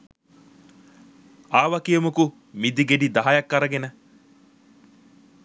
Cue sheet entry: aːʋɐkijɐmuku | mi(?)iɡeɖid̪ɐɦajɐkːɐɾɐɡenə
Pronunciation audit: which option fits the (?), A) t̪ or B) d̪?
B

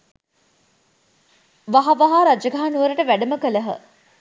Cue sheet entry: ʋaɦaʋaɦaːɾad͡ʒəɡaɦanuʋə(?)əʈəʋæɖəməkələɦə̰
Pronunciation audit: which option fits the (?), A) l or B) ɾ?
B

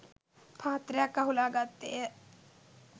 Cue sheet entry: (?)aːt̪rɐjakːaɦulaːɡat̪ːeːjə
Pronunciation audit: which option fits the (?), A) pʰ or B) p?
A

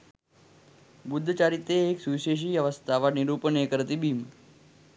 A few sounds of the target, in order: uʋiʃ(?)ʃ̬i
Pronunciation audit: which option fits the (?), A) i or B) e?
B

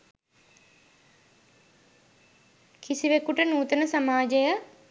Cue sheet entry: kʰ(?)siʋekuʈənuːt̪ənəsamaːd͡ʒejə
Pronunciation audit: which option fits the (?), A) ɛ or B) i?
B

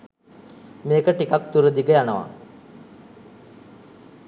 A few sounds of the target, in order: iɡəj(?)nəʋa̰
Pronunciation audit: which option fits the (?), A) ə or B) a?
B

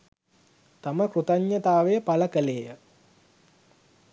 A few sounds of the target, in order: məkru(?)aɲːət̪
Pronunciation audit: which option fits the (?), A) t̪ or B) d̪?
A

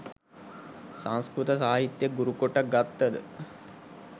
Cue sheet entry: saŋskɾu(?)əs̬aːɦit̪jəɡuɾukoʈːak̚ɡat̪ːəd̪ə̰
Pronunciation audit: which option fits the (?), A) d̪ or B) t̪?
B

